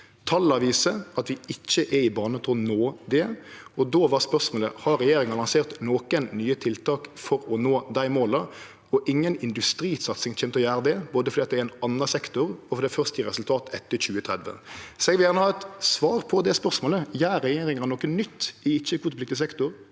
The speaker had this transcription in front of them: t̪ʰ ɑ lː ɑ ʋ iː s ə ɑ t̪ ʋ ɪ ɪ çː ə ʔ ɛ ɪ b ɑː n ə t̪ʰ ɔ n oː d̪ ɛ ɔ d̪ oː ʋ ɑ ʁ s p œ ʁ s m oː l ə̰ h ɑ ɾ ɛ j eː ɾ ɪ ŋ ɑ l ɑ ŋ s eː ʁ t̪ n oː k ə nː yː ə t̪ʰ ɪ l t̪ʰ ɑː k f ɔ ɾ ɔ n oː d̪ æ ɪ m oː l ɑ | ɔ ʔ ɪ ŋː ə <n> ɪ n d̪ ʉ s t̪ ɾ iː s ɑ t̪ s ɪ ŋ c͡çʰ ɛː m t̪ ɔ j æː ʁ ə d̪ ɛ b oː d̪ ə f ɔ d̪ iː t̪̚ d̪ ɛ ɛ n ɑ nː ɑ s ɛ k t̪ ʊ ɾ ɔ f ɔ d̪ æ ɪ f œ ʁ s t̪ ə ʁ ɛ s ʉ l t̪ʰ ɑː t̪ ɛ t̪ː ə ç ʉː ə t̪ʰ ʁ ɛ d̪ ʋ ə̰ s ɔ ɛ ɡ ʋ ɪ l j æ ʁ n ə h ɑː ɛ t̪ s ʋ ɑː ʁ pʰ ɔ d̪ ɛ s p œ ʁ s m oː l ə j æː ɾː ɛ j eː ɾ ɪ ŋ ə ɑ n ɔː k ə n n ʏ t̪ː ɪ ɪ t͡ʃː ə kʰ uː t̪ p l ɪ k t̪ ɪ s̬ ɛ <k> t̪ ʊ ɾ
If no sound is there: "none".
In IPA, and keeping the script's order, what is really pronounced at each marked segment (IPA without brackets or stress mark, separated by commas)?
n, k